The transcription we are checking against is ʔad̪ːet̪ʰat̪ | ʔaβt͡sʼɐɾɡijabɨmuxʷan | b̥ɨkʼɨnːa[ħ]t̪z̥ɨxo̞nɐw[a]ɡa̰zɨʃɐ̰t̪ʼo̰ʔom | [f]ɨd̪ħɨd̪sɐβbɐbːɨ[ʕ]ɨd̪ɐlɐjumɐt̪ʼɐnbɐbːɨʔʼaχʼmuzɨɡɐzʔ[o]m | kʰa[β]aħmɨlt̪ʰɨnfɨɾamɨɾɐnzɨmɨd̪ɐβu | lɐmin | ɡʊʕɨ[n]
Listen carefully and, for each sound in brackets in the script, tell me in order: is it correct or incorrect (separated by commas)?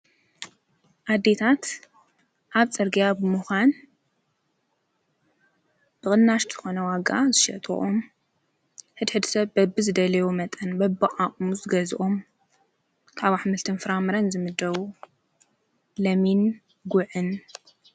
incorrect, correct, incorrect, incorrect, correct, correct, correct